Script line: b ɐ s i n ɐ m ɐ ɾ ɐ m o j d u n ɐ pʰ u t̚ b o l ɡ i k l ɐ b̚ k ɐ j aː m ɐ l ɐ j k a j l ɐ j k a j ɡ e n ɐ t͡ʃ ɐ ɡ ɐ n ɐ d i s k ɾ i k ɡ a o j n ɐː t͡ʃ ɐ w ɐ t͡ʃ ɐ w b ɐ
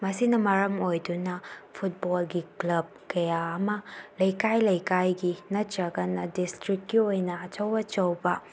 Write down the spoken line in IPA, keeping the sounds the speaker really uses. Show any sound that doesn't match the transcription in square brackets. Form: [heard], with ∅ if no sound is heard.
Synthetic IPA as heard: [m] ɐ s i n ɐ m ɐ ɾ ɐ m o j d u n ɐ pʰ u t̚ b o l ɡ i k l ɐ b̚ k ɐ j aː m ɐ l ɐ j k a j l ɐ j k a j ɡ [i] n ɐ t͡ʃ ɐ ɡ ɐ n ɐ d i s [t] ɾ i k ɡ [i] o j n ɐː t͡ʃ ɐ w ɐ t͡ʃ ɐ w b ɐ